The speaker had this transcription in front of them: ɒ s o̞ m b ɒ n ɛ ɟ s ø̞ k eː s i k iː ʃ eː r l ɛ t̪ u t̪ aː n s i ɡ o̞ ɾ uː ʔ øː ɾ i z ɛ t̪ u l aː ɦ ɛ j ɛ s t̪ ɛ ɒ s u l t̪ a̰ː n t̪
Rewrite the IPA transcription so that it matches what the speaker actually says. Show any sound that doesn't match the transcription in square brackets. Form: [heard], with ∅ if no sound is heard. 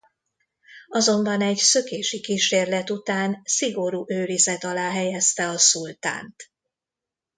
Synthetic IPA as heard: ɒ [z] o̞ m b ɒ n ɛ ɟ s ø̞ k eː [ʃ] i k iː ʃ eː r l ɛ t̪ u t̪ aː n s i ɡ o̞ ɾ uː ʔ øː ɾ i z ɛ t̪ [ɒ] l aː ɦ ɛ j ɛ s t̪ ɛ ɒ s u l t̪ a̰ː n t̪